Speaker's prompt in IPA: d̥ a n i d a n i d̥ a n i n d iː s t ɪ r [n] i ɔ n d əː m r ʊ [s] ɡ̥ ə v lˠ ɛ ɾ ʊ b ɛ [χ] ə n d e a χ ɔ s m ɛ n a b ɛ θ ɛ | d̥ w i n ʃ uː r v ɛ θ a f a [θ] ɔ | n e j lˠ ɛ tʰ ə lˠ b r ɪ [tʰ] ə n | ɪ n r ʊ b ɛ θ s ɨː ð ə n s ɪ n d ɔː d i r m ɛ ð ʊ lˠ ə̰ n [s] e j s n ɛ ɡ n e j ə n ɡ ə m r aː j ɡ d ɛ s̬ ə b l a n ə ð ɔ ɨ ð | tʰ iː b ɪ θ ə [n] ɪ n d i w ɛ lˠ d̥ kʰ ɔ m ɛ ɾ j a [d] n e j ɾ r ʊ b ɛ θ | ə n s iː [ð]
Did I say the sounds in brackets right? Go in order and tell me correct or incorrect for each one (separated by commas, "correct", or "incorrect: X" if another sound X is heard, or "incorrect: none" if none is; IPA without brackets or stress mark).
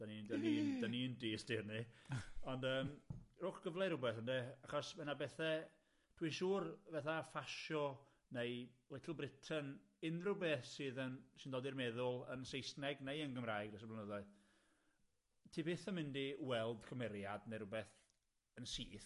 correct, incorrect: χ, incorrect: θ, incorrect: ʃ, correct, correct, incorrect: m, correct, incorrect: θ